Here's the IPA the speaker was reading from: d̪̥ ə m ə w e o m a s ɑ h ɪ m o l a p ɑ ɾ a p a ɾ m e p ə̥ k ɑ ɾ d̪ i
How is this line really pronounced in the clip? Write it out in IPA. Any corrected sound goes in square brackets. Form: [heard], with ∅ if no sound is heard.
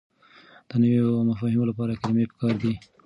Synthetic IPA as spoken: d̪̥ ə [n] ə w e o m a [f] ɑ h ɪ m o l a p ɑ ɾ a [k] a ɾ m e p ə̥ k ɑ ɾ d̪ i